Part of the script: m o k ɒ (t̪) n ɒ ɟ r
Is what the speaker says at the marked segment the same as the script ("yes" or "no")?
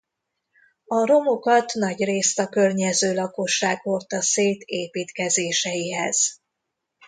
yes